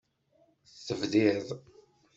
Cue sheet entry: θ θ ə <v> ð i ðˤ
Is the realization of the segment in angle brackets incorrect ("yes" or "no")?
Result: no